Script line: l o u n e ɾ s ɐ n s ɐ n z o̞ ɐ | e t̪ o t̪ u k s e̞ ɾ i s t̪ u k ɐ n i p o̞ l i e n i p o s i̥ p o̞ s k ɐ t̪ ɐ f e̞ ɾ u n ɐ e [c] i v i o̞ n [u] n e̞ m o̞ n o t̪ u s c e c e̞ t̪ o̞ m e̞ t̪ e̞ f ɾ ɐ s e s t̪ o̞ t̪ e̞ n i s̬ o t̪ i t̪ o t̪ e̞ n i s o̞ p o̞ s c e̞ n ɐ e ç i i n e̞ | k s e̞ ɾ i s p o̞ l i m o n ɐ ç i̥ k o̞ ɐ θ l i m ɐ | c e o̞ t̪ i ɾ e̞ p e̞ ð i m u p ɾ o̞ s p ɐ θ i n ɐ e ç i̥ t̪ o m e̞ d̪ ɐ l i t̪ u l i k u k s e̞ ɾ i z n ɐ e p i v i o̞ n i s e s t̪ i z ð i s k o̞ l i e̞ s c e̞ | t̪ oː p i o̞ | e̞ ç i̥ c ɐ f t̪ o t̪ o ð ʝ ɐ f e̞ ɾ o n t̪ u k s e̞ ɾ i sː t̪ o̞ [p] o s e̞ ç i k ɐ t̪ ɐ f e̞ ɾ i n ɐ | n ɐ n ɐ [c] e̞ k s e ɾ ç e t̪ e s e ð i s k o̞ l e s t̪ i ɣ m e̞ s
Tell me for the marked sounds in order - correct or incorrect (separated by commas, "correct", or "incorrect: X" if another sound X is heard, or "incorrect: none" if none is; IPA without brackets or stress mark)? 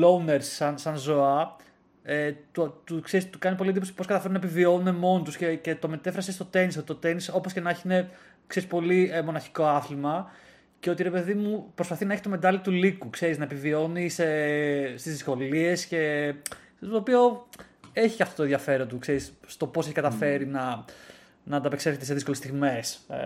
incorrect: p, correct, correct, incorrect: p